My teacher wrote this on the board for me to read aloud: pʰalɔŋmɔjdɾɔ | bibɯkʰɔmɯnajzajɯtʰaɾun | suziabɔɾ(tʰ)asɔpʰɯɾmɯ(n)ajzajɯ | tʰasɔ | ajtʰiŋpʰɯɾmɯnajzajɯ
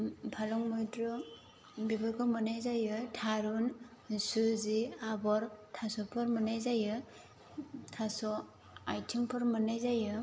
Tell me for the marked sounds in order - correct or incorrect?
correct, correct

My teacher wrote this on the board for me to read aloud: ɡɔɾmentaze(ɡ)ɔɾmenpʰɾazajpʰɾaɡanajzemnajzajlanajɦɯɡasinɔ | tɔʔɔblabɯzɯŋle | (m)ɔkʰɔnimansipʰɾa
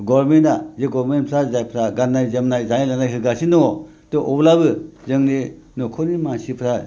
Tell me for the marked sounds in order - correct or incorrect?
correct, incorrect

